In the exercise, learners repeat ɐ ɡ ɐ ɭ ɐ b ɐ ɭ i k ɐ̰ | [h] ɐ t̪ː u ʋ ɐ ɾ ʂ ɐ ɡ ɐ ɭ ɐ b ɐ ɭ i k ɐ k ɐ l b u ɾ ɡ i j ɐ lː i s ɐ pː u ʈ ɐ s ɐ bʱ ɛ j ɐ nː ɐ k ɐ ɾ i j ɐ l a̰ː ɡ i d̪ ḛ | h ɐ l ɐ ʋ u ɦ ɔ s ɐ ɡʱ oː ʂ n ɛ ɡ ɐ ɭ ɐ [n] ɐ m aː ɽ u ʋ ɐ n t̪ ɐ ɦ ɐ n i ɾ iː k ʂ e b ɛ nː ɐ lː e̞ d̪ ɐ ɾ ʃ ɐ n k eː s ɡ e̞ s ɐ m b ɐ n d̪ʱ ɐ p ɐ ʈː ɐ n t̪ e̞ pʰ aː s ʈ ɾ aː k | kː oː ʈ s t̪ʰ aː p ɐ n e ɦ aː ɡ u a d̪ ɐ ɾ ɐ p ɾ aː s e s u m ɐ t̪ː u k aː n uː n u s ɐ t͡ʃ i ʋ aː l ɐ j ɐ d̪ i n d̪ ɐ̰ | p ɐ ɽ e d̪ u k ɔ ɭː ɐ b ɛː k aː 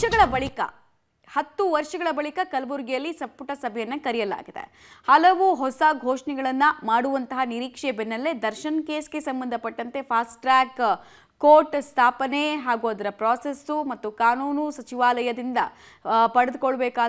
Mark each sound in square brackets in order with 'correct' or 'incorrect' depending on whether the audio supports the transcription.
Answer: correct, incorrect: nː

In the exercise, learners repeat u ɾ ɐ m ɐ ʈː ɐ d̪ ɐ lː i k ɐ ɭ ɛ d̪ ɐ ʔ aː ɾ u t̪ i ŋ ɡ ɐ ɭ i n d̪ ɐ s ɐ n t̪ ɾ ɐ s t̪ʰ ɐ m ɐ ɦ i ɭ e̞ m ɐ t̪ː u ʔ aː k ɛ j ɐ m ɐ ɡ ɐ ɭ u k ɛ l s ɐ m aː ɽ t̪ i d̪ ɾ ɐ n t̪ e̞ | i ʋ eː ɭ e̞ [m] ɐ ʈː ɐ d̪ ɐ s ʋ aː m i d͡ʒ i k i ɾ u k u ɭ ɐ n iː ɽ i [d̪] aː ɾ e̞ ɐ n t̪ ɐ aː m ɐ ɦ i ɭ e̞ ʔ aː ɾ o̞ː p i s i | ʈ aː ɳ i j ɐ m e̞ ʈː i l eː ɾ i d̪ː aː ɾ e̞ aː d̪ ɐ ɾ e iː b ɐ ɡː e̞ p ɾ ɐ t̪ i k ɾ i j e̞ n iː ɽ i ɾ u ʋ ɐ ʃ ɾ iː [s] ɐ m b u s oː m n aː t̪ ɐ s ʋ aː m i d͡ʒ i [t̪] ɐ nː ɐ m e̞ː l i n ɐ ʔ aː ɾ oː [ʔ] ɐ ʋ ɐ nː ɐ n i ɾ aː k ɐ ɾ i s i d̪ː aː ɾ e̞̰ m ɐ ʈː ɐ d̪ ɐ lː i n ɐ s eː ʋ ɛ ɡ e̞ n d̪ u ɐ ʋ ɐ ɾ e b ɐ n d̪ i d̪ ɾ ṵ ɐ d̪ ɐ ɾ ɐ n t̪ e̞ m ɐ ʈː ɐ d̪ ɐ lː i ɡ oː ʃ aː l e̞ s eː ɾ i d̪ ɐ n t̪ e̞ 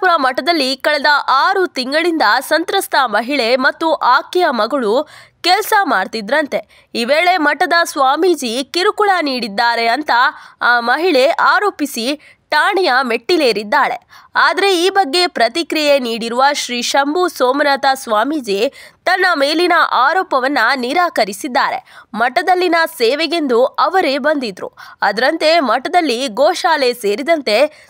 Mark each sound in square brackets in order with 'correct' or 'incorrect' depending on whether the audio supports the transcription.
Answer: correct, incorrect: d̪ː, incorrect: ʃ, correct, incorrect: p

